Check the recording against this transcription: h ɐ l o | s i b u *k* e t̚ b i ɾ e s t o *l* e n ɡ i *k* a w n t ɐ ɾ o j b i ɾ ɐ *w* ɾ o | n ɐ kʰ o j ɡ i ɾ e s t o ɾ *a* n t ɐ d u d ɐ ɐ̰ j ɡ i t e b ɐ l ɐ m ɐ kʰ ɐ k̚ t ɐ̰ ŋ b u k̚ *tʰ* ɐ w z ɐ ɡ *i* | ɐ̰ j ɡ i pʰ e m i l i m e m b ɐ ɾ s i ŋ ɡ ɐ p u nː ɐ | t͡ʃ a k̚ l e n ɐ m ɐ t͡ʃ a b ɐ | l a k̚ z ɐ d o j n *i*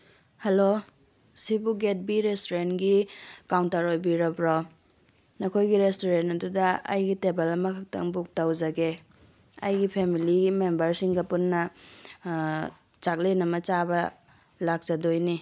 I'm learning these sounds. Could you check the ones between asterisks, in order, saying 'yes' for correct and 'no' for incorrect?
no, no, yes, no, no, no, no, yes

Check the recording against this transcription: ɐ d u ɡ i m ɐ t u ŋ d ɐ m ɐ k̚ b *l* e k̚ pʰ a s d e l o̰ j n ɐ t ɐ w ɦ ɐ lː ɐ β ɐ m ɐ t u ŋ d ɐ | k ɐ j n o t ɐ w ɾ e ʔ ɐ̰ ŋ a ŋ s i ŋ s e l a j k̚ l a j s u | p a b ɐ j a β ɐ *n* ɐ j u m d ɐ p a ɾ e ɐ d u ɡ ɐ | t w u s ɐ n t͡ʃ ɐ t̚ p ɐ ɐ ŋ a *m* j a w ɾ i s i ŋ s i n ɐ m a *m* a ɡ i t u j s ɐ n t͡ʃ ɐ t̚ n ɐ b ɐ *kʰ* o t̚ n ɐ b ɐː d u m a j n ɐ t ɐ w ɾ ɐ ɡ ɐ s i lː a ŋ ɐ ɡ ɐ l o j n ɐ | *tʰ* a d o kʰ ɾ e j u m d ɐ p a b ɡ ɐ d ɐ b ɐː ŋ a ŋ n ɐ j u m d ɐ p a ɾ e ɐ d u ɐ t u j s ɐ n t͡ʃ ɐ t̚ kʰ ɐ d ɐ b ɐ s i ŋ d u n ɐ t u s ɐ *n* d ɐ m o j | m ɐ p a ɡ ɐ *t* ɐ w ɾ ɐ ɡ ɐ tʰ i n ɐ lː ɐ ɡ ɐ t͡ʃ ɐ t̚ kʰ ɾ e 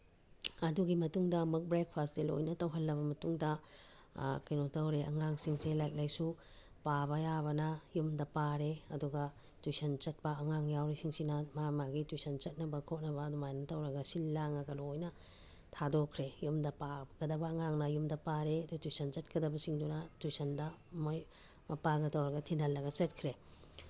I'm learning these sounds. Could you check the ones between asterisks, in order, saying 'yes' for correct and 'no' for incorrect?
no, yes, no, yes, yes, yes, yes, yes

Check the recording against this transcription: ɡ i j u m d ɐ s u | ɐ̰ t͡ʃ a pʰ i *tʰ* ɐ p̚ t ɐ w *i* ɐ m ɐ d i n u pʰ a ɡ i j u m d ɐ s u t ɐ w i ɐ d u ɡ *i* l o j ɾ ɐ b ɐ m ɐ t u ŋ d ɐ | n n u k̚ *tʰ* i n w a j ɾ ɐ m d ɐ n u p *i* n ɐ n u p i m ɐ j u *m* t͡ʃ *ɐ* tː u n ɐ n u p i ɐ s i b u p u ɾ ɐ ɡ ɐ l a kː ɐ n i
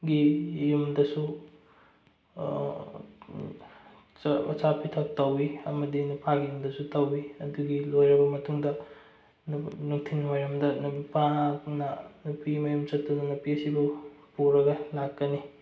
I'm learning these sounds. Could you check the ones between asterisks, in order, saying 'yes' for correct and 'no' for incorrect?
yes, yes, yes, yes, no, yes, yes

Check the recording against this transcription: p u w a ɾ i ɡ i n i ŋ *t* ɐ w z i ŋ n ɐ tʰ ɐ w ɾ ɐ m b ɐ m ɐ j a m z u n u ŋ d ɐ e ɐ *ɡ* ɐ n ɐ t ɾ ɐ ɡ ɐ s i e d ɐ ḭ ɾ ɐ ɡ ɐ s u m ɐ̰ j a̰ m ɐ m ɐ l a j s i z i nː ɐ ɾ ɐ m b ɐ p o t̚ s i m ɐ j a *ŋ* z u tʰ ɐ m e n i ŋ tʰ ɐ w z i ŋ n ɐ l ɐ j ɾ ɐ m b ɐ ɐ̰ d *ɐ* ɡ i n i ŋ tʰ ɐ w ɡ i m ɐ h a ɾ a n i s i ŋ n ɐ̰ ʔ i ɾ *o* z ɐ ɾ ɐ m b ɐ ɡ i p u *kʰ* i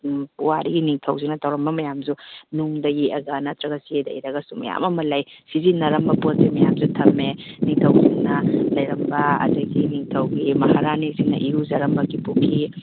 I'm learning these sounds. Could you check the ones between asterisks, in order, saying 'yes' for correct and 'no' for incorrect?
no, yes, no, yes, no, yes

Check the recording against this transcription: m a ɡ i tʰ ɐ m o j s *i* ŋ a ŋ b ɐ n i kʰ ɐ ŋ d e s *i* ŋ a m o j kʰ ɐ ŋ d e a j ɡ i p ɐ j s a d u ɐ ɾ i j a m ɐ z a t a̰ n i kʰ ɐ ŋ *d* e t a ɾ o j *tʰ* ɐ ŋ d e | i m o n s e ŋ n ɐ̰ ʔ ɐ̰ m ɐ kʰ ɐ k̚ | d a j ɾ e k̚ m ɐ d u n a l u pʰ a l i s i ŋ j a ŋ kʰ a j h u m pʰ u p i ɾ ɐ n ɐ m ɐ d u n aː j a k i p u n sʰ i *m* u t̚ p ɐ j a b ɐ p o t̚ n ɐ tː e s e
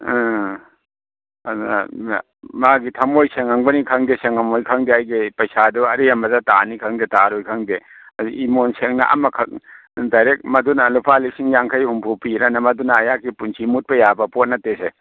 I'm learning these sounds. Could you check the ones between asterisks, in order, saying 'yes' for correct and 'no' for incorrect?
no, no, yes, no, yes

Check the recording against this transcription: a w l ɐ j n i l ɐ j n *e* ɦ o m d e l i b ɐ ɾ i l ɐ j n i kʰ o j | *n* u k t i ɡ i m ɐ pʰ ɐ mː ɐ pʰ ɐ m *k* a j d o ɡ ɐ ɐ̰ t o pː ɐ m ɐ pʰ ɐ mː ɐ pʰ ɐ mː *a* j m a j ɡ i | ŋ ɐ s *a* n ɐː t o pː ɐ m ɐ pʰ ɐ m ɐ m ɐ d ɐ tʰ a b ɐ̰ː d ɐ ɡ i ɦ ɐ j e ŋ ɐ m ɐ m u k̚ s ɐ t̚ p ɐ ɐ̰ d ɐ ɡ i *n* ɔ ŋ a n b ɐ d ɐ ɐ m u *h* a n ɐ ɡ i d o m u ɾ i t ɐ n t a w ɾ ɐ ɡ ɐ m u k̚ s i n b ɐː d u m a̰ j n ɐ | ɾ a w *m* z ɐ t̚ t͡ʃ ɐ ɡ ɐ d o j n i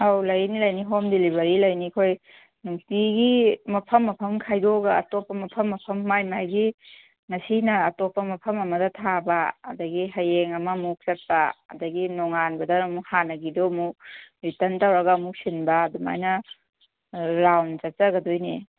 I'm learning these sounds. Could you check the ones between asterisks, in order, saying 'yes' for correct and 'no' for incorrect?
no, yes, no, yes, no, yes, yes, no

